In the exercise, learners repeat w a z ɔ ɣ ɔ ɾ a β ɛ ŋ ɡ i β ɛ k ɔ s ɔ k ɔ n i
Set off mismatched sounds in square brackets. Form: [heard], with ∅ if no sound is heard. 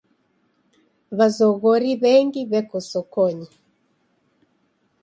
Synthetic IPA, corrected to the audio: [β] a z ɔ ɣ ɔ ɾ [i] β ɛ ŋ ɡ i β ɛ k ɔ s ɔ k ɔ [ɲ] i